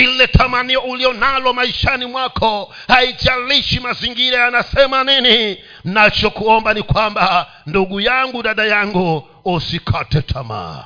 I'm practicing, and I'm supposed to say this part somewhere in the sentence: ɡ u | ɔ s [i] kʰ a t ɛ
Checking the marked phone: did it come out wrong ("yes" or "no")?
no